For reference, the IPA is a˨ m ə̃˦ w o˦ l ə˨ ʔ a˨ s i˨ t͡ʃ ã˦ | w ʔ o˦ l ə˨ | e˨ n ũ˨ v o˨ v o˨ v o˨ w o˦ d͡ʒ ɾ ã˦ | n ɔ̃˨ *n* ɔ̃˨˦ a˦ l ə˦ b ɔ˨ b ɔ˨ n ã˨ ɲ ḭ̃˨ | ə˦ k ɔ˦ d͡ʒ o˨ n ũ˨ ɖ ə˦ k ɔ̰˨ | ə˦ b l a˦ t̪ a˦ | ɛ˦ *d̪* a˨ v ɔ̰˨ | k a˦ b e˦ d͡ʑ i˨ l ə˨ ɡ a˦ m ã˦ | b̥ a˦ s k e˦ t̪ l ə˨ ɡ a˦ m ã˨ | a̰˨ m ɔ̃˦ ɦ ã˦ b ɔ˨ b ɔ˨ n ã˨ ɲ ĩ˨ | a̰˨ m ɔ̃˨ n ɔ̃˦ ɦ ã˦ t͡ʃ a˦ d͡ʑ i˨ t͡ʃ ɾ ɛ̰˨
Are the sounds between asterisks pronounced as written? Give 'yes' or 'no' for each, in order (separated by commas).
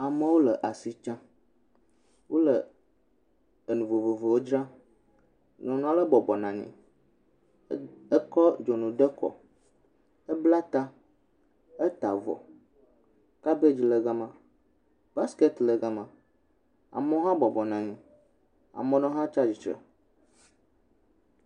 yes, no